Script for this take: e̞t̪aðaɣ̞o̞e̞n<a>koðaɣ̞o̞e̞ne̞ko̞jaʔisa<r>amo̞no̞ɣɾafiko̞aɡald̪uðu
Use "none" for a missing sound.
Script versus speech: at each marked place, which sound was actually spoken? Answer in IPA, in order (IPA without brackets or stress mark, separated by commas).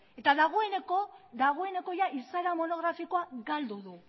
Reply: e, ɾ